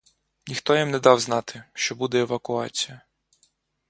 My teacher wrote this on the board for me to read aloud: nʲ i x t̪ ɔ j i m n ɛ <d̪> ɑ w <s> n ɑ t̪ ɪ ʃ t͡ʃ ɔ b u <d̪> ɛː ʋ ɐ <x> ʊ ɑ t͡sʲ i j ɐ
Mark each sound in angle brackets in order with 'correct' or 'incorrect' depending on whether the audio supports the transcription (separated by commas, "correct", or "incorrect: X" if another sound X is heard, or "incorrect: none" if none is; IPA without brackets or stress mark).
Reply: correct, incorrect: z, correct, incorrect: k